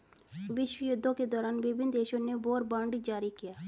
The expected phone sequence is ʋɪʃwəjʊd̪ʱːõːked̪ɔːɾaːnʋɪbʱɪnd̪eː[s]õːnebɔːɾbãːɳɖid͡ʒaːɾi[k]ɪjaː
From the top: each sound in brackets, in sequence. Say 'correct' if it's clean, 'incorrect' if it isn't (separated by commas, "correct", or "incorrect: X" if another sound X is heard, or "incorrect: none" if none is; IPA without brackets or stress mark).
incorrect: ʃ, correct